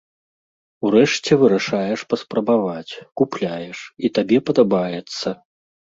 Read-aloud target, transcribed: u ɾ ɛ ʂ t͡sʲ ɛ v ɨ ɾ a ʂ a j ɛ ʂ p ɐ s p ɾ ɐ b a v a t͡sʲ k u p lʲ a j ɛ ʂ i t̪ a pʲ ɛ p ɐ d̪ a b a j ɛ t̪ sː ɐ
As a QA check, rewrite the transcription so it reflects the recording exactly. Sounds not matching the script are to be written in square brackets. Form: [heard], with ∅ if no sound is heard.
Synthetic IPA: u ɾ ɛ ʂ t͡sʲ ɛ v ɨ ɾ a ʂ a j ɛ ʂ p ɐ s p ɾ ɐ b a v a t͡sʲ k u p lʲ a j ɛ ʂ i t̪ a [bʲ] ɛ p ɐ d̪ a b a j ɛ t̪ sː ɐ